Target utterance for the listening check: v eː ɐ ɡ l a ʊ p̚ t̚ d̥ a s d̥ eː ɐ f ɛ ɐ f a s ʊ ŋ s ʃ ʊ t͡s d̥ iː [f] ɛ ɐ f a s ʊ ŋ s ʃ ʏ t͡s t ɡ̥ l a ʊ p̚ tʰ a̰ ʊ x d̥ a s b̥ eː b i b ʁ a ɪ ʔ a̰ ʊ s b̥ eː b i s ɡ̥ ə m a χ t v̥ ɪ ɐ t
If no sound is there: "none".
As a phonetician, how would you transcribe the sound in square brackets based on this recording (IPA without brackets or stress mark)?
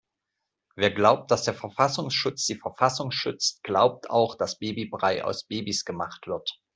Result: f